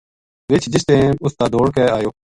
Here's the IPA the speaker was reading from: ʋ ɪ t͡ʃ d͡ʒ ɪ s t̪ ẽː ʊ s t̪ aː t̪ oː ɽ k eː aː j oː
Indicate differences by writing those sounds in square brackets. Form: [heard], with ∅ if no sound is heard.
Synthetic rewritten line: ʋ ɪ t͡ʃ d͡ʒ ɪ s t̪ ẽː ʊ s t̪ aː [d̪] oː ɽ k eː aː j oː